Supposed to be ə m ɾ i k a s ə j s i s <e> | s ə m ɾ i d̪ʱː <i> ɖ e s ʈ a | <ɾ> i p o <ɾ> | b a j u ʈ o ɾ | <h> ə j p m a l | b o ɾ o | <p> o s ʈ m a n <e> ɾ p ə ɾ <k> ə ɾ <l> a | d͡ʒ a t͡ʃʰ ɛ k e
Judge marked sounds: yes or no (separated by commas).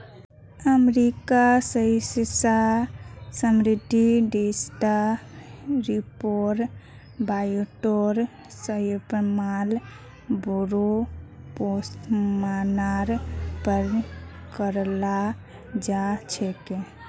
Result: no, yes, yes, yes, no, yes, no, yes, yes